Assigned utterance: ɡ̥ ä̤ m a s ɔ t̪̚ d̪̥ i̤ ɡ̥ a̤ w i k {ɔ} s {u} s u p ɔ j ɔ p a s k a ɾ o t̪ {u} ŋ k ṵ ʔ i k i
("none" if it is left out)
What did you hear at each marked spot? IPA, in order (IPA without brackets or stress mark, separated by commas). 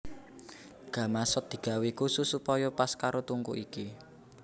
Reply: u, u, u